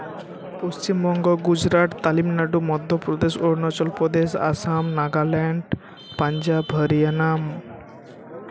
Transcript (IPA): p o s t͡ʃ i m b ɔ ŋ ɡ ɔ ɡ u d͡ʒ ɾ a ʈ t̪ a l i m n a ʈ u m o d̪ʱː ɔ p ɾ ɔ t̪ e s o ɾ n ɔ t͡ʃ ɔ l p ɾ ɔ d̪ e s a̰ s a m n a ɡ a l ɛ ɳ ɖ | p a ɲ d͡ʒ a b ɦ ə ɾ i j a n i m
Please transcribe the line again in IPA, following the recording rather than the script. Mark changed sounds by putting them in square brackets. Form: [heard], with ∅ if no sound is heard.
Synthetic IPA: p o s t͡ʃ i m b ɔ ŋ ɡ ɔ ɡ u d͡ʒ ɾ a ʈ t̪ a l i m n a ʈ u m [ɔ] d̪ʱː ɔ p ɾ ɔ [d̪] e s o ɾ n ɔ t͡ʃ ɔ l p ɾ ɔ d̪ e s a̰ s a m n a ɡ a l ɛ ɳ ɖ | p a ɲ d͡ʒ a b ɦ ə ɾ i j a n [a] m